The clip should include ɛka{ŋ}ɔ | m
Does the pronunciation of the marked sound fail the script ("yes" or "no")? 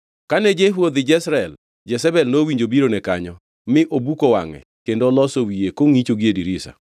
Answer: yes